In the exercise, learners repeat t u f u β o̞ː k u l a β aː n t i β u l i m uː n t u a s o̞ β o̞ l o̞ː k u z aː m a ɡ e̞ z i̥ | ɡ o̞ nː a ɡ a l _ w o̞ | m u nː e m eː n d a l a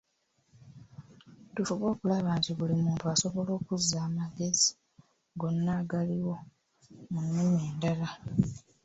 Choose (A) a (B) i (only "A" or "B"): B